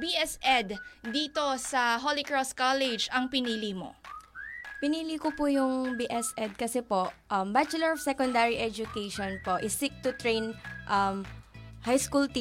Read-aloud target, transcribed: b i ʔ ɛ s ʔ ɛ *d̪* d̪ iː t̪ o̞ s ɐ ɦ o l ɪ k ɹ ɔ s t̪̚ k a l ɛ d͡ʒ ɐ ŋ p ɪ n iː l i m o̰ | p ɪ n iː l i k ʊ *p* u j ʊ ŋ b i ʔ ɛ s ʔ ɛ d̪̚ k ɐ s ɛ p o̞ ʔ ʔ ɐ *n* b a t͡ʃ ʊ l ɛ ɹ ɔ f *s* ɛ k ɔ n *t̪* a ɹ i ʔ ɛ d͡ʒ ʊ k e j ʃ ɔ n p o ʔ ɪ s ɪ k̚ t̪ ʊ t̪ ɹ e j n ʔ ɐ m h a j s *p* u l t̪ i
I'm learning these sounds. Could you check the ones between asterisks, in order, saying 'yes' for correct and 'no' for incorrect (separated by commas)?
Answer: yes, yes, no, yes, no, no